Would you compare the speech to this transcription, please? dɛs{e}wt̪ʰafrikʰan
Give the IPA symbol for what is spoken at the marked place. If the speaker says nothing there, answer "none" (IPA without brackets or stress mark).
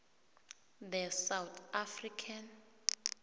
a